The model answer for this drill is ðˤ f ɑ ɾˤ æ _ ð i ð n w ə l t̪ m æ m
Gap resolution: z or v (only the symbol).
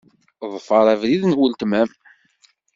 v